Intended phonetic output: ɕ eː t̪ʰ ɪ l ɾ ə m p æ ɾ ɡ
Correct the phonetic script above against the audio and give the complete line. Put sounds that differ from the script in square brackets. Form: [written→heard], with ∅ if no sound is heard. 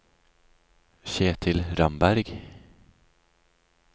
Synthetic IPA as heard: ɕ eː t̪ʰ ɪ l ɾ [ə→a] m [p→b] æ ɾ ɡ